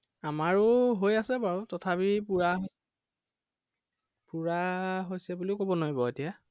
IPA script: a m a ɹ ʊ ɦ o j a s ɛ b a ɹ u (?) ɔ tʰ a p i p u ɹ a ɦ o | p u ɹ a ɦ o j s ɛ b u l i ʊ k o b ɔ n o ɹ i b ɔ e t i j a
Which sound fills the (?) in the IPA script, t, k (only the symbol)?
t